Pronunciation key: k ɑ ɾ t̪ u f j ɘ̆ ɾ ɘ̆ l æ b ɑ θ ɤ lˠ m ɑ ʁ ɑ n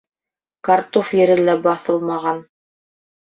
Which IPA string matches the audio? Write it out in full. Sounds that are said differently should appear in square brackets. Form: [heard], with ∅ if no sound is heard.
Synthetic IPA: k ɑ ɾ t̪ [o] f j ɘ̆ ɾ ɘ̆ l æ b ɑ θ ɤ lˠ m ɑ ʁ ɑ n